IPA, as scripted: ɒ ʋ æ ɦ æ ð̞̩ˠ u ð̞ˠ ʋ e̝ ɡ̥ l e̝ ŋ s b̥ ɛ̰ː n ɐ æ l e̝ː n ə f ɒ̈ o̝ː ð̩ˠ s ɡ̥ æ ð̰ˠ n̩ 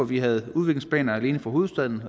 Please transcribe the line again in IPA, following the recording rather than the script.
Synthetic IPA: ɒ ʋ i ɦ æ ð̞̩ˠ u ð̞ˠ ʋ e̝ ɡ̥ l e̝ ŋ s b̥ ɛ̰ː n ɐ æ l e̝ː n ə f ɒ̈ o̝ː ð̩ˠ s d̥ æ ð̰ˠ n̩